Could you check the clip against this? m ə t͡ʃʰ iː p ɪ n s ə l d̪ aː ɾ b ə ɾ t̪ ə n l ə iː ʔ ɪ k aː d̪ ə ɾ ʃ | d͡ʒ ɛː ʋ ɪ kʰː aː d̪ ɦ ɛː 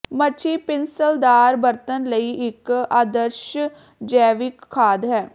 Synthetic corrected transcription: m ə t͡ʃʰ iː p ɪ n s ə l d̪ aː ɾ b ə ɾ t̪ ə n l ə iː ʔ ɪ k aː d̪ ə ɾ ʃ | d͡ʒ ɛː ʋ ɪ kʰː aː d̪ ɦ ɛː

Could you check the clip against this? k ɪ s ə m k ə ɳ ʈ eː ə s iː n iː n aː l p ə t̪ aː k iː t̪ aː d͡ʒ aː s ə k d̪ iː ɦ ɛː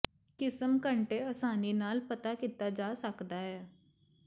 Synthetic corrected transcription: k ɪ s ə m k ə ɳ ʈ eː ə s aː n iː n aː l p ə t̪ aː k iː t̪ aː d͡ʒ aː s ə k d̪ aː ɦ ɛː

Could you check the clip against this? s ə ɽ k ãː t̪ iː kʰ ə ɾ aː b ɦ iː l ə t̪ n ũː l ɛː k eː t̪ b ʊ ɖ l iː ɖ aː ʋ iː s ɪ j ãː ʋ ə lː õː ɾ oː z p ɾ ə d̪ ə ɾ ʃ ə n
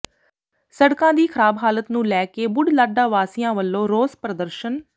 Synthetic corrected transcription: s ə ɽ k ãː d̪ iː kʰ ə ɾ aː b ɦ aː l ə t̪ n ũː l ɛː k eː b ʊ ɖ l aː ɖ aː ʋ aː s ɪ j ãː ʋ ə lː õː ɾ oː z p ɾ ə d̪ ə ɾ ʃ ə n

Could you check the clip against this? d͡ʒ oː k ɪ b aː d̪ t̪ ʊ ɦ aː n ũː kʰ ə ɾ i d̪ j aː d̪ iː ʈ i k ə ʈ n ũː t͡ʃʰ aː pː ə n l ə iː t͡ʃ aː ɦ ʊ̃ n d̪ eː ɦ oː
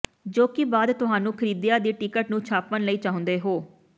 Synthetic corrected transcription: d͡ʒ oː k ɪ b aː d̪ t̪ ʊ ɦ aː n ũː kʰ ə ɾ iː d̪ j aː d̪ iː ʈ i k ə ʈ n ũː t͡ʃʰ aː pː ə n l ə iː t͡ʃ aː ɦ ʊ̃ n d̪ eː ɦ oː

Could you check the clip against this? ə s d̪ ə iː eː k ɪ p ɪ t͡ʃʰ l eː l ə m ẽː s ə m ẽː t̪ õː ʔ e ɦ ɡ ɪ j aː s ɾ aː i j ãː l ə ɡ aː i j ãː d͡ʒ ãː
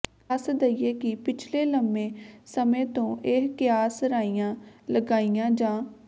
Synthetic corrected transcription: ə s d̪ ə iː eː k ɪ p ɪ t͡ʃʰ l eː l ə m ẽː s ə m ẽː t̪ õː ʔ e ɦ k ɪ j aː s ɾ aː i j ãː l ə ɡ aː i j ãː d͡ʒ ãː

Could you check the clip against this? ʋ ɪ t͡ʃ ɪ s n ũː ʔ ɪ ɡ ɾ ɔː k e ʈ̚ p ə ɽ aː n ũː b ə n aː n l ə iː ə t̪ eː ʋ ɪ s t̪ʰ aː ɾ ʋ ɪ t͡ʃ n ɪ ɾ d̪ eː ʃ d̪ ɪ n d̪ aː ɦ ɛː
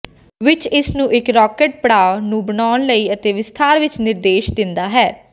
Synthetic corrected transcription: ʋ ɪ t͡ʃ ɪ s n ũː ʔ ɪ k ɾ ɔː k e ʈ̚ p ə ɽ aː n ũː b ə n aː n l ə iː ə t̪ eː ʋ ɪ s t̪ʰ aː ɾ ʋ ɪ t͡ʃ n ɪ ɾ d̪ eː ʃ d̪ ɪ n d̪ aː ɦ ɛː

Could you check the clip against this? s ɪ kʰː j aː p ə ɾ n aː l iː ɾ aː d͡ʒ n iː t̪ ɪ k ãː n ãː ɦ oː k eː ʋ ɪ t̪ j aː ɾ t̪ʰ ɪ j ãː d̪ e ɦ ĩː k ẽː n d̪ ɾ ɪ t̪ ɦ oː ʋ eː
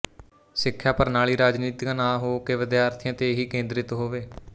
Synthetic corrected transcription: s ɪ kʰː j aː p ə ɾ n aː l iː ɾ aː d͡ʒ n iː t̪ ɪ k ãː n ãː ɦ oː k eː ʋ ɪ d̪ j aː ɾ t̪ʰ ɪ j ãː t̪ e ɦ iː k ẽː n d̪ ɾ ɪ t̪ ɦ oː ʋ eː

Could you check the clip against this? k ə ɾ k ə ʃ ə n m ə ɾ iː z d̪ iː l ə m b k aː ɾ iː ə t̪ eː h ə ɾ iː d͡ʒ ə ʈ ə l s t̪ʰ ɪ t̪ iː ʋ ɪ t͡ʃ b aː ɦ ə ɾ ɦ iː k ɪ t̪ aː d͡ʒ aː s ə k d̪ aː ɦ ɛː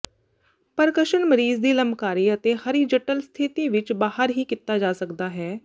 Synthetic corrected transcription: p ə ɾ k ə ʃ ə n m ə ɾ iː z d̪ iː l ə m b k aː ɾ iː ə t̪ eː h ə ɾ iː d͡ʒ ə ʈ ə l s t̪ʰ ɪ t̪ iː ʋ ɪ t͡ʃ b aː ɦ ə ɾ ɦ iː k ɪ t̪ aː d͡ʒ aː s ə k d̪ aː ɦ ɛː

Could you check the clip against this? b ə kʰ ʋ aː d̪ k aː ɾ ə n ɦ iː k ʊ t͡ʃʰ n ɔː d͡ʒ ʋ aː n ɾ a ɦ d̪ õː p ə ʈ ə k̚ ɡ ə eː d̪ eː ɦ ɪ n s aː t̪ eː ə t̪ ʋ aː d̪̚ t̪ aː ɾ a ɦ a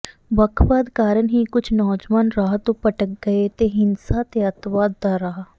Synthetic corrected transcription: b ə kʰ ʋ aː d̪ k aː ɾ ə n ɦ iː k ʊ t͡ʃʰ n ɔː d͡ʒ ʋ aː n ɾ a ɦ t̪ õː p ə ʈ ə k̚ ɡ ə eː t̪ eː ɦ ɪ n s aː t̪ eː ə t̪ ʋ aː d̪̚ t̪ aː ɾ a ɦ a

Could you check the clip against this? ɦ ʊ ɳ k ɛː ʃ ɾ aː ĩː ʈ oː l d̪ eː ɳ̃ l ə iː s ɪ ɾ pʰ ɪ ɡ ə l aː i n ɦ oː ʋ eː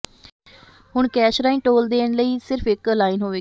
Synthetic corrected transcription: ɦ ʊ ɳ k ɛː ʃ ɾ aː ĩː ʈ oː l d̪ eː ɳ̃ l ə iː s ɪ ɾ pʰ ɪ k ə l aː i n ɦ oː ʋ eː

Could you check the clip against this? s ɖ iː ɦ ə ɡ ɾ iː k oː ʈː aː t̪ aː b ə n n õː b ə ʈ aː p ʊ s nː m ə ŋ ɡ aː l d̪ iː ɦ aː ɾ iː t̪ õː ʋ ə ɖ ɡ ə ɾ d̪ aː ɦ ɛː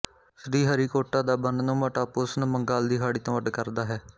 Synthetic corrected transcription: s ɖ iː ɦ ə ɾ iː k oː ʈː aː d̪ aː b ə n n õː m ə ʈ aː p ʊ s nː m ə ŋ ɡ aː l d̪ iː ɦ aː ɽ iː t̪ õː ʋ ə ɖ k ə ɾ d̪ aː ɦ ɛː

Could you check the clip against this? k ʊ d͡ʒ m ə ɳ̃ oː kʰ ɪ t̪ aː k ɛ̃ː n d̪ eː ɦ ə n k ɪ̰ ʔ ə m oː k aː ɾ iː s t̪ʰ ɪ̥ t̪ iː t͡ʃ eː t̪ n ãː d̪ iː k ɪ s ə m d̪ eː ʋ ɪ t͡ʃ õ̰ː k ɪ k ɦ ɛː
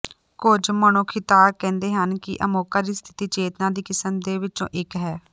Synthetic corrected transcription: k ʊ d͡ʒ m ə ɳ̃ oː kʰ ɪ t̪ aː k ɛ̃ː n d̪ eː ɦ ə n k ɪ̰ ʔ ə m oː k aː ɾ iː s t̪ʰ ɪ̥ t̪ iː t͡ʃ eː t̪ n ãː d̪ iː k ɪ s ə m d̪ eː ʋ ɪ t͡ʃ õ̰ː ʔ ɪ k ɦ ɛː

